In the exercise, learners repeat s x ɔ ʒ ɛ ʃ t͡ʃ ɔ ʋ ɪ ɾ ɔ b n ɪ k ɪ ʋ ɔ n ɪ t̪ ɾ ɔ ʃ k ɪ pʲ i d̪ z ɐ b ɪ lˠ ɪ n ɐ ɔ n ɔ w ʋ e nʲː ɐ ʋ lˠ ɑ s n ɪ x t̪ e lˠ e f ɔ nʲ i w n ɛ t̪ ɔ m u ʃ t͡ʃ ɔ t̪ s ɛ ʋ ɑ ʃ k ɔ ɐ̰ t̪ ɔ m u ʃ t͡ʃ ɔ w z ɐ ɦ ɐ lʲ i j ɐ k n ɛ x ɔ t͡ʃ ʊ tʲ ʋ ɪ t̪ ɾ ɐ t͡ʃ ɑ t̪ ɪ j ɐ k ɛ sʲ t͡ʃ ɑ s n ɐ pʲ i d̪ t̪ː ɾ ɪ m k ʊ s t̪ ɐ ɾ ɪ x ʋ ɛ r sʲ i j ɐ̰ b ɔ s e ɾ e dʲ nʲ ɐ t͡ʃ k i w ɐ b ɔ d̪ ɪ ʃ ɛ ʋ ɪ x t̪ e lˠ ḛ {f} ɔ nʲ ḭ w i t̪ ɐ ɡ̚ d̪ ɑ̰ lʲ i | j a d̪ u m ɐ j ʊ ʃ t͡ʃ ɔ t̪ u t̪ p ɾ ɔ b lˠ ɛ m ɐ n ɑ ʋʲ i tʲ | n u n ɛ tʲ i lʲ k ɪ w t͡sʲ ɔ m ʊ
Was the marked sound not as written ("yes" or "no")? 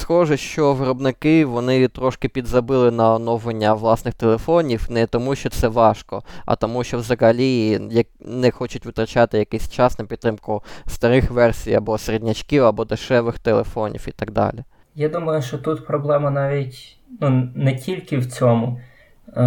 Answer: no